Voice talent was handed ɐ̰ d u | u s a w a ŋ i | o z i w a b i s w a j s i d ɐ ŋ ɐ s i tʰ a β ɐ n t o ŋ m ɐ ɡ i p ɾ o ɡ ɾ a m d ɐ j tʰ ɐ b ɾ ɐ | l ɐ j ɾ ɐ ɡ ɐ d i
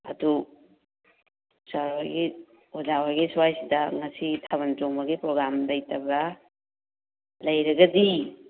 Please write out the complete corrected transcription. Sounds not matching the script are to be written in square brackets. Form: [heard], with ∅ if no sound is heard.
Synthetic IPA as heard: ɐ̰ d u | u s a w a [ɡ] i | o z [a] w a [ɡ] i s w a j s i d ɐ ŋ ɐ s i tʰ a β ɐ n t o ŋ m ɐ ɡ i p ɾ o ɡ ɾ a m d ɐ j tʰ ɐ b ɾ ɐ | l ɐ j ɾ ɐ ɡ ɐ d i